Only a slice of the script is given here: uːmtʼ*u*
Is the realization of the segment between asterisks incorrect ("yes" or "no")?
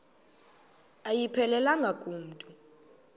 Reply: no